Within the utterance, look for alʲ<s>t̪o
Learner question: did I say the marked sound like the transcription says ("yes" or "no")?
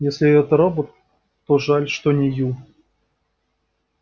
no